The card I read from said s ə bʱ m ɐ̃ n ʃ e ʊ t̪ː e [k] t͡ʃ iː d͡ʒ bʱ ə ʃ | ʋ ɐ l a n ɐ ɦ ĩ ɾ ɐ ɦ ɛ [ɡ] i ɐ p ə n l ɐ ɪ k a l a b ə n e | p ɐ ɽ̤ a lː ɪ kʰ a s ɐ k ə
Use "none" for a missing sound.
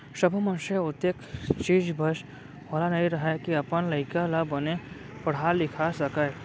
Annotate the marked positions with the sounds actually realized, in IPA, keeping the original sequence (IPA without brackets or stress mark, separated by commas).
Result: k, k